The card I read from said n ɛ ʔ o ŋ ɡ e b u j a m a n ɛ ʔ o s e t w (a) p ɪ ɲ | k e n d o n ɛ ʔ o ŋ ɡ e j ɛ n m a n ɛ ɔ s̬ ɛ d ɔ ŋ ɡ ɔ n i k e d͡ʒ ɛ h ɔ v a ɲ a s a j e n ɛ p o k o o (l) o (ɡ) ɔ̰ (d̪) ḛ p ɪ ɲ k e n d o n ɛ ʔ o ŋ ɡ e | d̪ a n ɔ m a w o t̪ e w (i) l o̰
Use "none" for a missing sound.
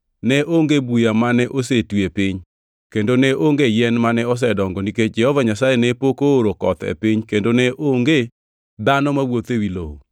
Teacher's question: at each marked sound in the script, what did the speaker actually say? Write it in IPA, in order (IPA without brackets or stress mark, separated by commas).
e, ɾ, k, t̪, i